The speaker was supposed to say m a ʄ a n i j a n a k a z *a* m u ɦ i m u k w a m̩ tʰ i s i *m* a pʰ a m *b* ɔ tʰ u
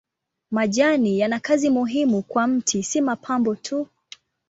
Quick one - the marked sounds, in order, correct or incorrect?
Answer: incorrect: i, correct, correct

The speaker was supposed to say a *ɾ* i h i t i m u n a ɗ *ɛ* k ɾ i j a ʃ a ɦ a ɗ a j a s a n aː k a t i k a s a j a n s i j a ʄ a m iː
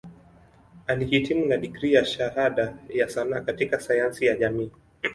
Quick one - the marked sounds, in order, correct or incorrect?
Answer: incorrect: l, incorrect: i

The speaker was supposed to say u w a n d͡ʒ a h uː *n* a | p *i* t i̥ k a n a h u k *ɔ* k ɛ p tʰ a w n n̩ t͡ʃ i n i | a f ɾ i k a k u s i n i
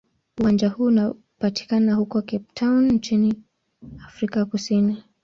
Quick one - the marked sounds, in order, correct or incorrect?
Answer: correct, incorrect: a, correct

